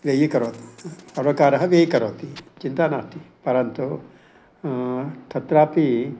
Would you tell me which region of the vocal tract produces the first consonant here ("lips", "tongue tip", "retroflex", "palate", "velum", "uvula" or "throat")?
lips